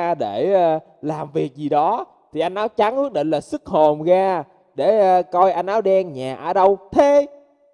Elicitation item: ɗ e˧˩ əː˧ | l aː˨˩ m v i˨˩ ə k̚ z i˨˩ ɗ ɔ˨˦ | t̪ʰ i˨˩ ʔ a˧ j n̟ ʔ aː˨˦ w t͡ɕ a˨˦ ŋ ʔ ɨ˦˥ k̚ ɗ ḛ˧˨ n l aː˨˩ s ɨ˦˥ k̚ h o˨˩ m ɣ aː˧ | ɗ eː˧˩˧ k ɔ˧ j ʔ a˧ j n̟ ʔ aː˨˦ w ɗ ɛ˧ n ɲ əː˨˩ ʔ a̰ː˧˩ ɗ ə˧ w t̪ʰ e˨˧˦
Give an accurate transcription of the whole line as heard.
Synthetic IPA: ɗ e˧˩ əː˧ | l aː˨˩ m v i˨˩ ə k̚ z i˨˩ ɗ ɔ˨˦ | t̪ʰ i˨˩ ʔ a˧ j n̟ ʔ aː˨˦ w t͡ɕ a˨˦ ŋ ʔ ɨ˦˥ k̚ ɗ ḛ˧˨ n l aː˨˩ s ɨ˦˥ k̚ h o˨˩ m ɣ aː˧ | ɗ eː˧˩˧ k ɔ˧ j ʔ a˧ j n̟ ʔ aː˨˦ w ɗ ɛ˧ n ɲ aː˨˩ ʔ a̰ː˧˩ ɗ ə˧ w t̪ʰ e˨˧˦

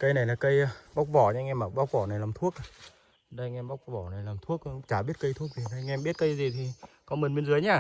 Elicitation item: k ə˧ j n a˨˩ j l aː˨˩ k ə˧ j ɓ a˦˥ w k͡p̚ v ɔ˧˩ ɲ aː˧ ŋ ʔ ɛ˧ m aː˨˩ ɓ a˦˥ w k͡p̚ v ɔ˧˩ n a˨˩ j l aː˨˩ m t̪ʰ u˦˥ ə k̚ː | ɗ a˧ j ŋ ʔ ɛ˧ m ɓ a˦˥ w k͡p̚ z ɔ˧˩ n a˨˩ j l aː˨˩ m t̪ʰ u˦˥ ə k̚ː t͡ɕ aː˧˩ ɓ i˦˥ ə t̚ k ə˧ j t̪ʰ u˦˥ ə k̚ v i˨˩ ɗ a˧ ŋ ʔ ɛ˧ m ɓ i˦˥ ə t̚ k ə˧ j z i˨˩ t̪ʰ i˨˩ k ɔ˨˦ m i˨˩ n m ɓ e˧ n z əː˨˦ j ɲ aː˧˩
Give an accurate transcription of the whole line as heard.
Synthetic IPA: k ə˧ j n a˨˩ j l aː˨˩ k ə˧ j ɓ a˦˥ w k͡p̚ v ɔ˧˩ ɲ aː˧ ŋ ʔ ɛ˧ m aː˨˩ ɓ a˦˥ w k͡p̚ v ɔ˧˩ n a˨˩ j l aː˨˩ m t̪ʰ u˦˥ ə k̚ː | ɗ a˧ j ŋ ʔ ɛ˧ m ɓ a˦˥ w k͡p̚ v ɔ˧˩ n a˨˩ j l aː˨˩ m t̪ʰ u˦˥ ə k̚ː t͡ɕ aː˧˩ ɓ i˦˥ ə t̚ k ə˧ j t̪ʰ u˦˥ ə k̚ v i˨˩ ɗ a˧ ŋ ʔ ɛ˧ m ɓ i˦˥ ə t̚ k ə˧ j z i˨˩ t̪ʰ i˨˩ k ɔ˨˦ m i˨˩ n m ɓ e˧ n z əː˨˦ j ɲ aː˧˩

